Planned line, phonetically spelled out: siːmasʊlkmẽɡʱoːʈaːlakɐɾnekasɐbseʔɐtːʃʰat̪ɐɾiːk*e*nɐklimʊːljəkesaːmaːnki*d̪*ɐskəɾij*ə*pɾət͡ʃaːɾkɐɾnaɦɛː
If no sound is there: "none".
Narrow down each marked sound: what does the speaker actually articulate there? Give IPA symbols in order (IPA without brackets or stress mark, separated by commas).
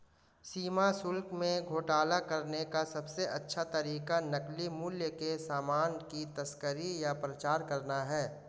a, t̪, a